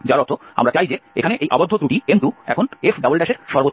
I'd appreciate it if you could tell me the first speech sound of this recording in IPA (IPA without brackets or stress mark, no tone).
d͡ʑ